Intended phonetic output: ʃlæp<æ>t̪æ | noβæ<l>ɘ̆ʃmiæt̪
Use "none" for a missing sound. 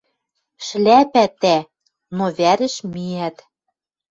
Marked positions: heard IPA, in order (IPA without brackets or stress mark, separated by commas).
æ, ɾ